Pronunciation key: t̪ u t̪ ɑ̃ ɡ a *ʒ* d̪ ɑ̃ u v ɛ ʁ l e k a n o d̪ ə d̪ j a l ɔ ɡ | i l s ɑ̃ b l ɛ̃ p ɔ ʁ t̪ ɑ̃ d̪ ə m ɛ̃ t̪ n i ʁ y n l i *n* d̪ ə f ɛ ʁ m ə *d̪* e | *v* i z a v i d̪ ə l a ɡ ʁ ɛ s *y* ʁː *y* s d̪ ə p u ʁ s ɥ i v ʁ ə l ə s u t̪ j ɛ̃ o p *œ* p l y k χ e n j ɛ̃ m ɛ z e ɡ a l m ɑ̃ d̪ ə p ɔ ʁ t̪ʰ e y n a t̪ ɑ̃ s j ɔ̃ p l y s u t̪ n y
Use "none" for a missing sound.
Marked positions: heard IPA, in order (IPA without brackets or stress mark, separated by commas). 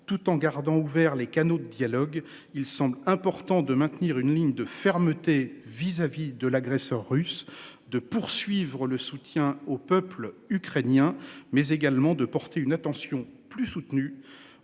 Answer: ʁ, ɲ, t̪, v, œ, y, œ